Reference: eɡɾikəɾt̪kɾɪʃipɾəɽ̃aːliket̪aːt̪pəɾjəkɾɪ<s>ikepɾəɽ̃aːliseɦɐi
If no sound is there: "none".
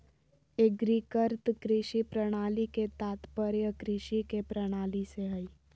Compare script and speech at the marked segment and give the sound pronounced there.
ʃ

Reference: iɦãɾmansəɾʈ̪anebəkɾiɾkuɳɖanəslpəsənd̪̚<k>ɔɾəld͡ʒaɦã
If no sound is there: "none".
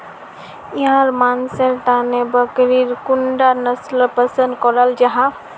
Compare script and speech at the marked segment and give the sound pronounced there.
k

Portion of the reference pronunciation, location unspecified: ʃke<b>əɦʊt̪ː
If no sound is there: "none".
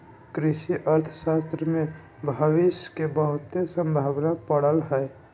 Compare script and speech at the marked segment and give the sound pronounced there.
b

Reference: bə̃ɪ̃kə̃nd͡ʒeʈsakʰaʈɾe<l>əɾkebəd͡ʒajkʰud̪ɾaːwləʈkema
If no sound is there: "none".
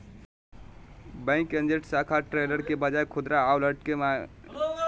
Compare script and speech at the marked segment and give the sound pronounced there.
l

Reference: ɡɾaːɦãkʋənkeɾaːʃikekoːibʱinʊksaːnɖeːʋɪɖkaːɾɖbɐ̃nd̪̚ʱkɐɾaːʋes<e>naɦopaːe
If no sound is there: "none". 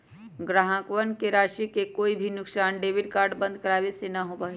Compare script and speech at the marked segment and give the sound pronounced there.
e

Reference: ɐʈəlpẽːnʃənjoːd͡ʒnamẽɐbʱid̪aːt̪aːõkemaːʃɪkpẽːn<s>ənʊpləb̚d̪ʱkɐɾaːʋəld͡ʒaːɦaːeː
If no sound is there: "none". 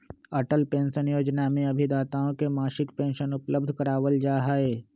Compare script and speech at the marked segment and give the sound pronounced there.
ʃ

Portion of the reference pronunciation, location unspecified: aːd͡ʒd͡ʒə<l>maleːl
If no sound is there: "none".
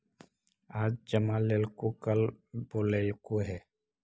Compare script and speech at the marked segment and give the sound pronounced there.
none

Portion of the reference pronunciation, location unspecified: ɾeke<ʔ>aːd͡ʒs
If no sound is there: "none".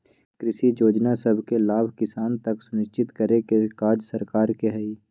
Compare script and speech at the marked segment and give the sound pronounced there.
k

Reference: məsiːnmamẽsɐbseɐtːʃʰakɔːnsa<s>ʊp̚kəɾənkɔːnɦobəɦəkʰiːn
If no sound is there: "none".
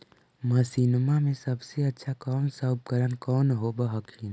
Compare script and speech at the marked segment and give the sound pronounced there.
none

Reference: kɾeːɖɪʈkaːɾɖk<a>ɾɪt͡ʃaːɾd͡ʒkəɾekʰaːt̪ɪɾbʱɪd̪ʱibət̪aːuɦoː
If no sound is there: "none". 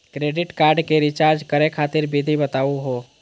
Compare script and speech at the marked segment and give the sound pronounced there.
e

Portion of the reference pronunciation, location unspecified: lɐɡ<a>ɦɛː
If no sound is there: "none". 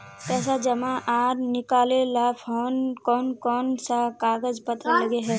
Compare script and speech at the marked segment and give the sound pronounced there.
e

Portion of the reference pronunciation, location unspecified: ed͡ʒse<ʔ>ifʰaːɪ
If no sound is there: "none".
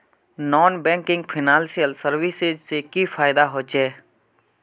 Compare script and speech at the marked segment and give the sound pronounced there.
k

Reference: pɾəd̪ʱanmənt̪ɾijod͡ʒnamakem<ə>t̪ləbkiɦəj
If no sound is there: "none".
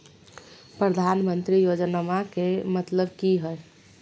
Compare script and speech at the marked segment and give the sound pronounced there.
ə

